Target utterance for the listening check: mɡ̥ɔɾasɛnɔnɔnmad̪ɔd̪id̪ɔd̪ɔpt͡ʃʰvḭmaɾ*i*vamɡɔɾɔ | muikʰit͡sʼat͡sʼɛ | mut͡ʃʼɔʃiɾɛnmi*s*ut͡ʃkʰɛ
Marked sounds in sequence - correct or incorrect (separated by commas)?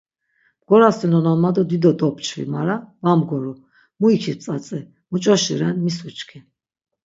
incorrect, correct